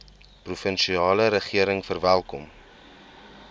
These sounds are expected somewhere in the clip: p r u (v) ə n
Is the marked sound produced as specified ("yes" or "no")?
no